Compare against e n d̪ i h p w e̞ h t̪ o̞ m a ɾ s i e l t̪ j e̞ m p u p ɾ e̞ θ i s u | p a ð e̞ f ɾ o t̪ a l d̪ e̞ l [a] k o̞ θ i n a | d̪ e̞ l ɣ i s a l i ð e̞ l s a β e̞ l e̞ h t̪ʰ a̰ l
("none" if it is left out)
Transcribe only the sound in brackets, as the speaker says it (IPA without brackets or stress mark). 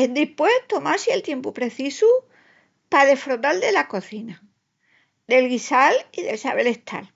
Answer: a